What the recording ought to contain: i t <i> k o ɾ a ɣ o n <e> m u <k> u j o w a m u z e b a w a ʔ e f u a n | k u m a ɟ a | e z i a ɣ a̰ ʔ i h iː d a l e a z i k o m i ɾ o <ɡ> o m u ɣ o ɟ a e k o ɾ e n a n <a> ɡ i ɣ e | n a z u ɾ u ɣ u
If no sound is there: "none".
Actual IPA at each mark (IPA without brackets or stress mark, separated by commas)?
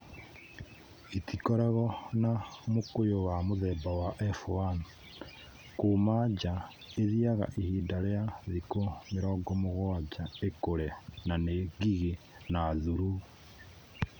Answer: i, a, k, ɡ, e